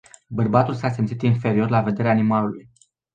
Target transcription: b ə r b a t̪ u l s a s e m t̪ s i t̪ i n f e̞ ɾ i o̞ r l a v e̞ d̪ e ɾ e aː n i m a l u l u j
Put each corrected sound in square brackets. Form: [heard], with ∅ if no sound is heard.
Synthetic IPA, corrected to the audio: b ə r b a t̪ u l s a s e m t̪ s i t̪ i n f e̞ ɾ i o̞ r l a v e̞ d̪ e ɾ e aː n i m a l u l u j